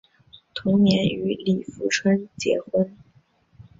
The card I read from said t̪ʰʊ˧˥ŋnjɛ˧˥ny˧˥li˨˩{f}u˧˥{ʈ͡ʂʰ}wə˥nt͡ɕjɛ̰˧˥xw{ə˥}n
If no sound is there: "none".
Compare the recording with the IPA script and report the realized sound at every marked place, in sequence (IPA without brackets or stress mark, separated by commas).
f, ʈ͡ʂʰ, ə˥